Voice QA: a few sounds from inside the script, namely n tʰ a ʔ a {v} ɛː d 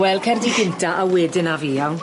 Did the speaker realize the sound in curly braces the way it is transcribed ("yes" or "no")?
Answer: no